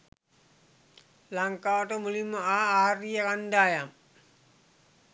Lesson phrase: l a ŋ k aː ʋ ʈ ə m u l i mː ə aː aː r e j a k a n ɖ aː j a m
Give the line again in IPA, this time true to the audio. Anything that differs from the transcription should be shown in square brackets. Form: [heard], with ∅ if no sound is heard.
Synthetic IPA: l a ŋ k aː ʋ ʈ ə m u l i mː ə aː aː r [i] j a k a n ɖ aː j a m